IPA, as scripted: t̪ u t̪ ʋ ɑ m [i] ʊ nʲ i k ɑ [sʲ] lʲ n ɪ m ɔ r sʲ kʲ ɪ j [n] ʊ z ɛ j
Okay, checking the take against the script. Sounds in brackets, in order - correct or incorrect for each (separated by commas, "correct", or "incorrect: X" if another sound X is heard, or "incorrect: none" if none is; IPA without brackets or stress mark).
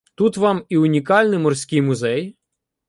correct, incorrect: none, incorrect: m